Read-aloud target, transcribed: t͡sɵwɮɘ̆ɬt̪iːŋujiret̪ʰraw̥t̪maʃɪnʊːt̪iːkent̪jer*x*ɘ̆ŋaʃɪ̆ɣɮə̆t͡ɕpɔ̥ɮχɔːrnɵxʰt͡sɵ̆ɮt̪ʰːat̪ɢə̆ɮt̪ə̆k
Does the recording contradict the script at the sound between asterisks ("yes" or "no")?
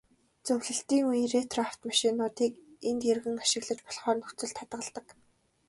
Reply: yes